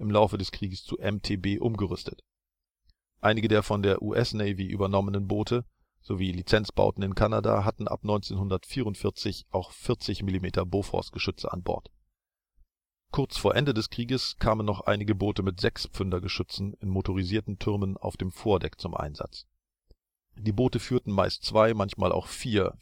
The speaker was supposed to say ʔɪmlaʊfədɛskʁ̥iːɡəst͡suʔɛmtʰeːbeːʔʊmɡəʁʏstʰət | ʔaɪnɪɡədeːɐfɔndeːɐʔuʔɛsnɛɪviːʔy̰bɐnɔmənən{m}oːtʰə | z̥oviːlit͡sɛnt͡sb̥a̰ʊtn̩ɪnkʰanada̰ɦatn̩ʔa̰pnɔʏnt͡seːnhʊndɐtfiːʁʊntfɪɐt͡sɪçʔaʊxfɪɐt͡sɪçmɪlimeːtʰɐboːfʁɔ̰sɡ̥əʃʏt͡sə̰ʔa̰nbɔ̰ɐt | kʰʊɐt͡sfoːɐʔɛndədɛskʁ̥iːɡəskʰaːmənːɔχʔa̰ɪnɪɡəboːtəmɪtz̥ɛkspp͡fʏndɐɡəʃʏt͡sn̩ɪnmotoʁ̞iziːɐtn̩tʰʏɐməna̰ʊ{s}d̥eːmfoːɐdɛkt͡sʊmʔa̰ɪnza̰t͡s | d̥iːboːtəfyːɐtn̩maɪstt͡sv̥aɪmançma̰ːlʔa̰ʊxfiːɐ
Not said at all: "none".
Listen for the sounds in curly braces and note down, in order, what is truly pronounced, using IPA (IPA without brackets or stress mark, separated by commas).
b, f